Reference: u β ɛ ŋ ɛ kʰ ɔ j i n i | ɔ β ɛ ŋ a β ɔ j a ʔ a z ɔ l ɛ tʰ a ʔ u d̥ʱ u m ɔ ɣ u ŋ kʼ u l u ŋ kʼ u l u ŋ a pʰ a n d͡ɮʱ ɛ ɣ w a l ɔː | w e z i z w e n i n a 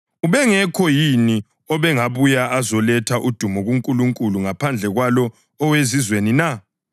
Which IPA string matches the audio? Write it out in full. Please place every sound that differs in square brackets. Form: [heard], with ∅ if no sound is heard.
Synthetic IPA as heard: u β ɛ ŋ ɛ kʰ ɔ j i n i | ɔ β ɛ ŋ a β [u] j a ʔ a z ɔ l ɛ tʰ a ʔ u d̥ʱ u m ɔ ɣ u ŋ kʼ u l u ŋ kʼ u l u ŋ a pʰ a n d͡ɮʱ ɛ ɣ w a l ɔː | w e z i z w e n i n a